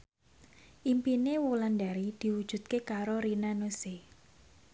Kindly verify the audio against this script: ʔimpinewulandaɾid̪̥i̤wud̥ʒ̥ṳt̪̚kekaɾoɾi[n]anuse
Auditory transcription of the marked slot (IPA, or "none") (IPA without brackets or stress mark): n